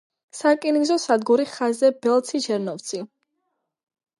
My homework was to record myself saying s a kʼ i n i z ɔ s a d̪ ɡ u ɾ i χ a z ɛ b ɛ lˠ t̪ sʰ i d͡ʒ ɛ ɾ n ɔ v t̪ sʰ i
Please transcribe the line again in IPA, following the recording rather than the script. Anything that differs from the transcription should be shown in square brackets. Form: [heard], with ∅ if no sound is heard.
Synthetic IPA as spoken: s a kʼ i n i z ɔ s a d̪ ɡ u ɾ i χ a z ɛ b ɛ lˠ t̪ sʰ i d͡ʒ ɛ ɾ n ɔ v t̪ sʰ i

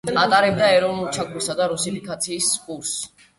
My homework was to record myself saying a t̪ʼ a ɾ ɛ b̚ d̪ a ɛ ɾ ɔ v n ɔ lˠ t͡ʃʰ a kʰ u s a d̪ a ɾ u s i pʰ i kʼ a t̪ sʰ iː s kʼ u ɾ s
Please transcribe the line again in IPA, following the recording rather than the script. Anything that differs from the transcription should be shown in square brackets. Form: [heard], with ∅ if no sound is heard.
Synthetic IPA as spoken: a t̪ʼ a ɾ ɛ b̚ d̪ a ɛ ɾ ɔ v n [u] lˠ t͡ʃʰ a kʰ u s a d̪ a ɾ u s i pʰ i kʼ a t̪ sʰ iː s kʼ u ɾ s

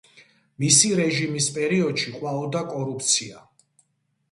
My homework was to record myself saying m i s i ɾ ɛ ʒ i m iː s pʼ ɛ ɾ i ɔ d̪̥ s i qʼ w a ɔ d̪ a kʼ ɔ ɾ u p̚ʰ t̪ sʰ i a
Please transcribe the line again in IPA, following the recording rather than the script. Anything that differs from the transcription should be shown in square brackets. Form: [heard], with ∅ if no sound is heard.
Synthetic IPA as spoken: m i s i ɾ ɛ ʒ i m [i] s pʼ ɛ ɾ i ɔ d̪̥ [ʃ] i qʼ w a ɔ d̪ a kʼ ɔ ɾ u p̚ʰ t̪ sʰ i a

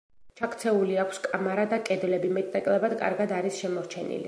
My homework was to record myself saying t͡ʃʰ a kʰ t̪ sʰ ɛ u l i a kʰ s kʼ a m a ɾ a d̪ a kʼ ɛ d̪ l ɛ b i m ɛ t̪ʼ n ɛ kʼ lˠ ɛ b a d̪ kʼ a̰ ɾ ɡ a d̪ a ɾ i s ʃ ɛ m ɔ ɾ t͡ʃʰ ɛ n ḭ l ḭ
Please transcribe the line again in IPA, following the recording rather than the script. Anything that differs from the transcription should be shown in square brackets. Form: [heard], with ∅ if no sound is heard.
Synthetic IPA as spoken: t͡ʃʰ a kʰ t̪ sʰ ɛ u l i a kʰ s kʼ a m a ɾ a d̪ a kʼ ɛ d̪ l ɛ b i m ɛ t̪ʼ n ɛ kʼ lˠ ɛ b a d̪ kʼ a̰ ɾ ɡ a d̪ a ɾ i s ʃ ɛ m ɔ ɾ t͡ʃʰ ɛ n ḭ l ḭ

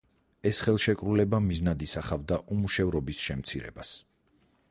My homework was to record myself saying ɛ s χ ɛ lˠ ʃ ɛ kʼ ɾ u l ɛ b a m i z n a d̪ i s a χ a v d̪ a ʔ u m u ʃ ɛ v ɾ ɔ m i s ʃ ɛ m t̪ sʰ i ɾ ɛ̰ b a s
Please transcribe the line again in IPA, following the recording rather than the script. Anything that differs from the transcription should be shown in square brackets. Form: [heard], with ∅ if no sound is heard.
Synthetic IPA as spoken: ɛ s χ ɛ lˠ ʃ ɛ kʼ ɾ u l ɛ b a m i z n a d̪ i s a χ a v d̪ a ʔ u m u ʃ ɛ v ɾ ɔ [b] i s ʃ ɛ m t̪ sʰ i ɾ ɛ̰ b a s

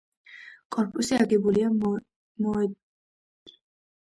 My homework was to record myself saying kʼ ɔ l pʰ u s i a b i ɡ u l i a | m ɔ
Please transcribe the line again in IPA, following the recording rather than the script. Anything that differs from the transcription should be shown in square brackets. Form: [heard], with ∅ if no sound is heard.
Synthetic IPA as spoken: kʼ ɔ [ɾ] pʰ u s i a [ɡ] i [b] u l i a | m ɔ

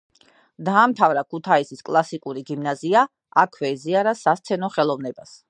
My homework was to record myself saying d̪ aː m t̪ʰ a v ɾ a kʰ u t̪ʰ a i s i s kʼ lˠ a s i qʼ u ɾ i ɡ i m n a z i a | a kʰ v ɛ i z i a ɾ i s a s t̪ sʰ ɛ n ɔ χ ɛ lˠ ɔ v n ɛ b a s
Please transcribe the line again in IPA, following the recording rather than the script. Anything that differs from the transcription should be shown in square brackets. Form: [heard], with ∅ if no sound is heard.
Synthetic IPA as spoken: d̪ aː m t̪ʰ a v ɾ a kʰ u t̪ʰ a i s i s kʼ lˠ a s i [kʼ] u ɾ i ɡ i m n a z i a | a kʰ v ɛ i z i a ɾ [a] s a s t̪ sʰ ɛ n ɔ χ ɛ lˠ ɔ v n ɛ b a s

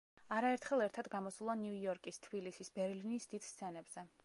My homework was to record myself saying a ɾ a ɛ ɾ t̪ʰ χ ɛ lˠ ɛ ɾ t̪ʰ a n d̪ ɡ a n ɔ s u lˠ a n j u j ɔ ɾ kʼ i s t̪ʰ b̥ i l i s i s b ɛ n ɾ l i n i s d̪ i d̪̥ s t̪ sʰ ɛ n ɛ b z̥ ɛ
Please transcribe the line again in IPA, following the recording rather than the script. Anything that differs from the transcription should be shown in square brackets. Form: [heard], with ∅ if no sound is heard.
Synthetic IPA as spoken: a ɾ a ɛ ɾ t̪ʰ χ ɛ lˠ ɛ ɾ t̪ʰ a [∅] d̪ ɡ a [m] ɔ s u lˠ a n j u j ɔ ɾ kʼ i s t̪ʰ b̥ i l i s i s b ɛ [∅] ɾ l i n i s d̪ i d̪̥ s t̪ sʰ ɛ n ɛ b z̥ ɛ

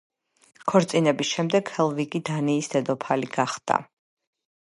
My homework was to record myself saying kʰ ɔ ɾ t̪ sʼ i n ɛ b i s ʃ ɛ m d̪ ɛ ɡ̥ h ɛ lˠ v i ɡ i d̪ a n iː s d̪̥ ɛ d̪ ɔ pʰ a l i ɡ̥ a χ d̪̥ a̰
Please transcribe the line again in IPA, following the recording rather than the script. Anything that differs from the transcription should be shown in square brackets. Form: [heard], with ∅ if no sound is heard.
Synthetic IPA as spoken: kʰ ɔ ɾ t̪ sʼ i n ɛ b i s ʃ ɛ m d̪ ɛ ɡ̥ h ɛ lˠ v i ɡ i d̪ a n iː s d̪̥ ɛ d̪ ɔ pʰ a l i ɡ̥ a χ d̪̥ a̰

